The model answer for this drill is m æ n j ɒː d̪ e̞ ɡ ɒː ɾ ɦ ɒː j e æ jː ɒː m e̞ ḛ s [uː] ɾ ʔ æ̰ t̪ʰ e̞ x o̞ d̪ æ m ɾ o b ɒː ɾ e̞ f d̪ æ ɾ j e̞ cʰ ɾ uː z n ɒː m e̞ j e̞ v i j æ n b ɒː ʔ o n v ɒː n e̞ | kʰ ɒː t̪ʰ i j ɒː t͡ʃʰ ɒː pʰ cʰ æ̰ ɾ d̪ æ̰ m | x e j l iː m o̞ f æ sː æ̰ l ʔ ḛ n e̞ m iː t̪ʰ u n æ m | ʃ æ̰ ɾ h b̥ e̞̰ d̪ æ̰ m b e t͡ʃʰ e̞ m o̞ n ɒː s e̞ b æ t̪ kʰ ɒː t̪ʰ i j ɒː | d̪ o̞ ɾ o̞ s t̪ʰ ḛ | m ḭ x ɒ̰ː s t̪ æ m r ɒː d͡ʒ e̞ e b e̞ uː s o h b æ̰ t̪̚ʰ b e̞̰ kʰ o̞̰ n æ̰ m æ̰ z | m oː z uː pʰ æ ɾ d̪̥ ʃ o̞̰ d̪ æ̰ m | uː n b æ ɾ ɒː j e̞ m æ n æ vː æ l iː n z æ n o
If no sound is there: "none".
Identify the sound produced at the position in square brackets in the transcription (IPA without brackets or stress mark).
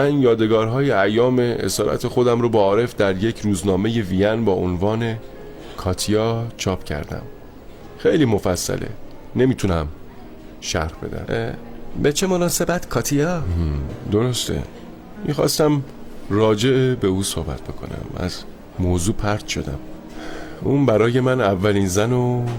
ɒː